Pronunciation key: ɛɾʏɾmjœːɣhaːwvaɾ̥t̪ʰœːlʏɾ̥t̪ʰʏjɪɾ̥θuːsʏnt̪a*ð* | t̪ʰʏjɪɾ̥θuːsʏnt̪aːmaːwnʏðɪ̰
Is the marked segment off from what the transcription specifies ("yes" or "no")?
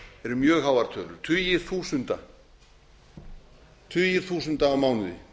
yes